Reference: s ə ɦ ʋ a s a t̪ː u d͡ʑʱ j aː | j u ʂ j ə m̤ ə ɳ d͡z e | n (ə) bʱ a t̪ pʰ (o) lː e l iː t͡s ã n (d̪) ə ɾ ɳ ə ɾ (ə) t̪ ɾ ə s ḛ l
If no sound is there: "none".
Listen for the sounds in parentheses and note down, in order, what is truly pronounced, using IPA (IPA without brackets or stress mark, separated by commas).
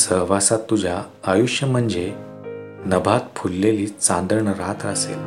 ə, u, d̪, a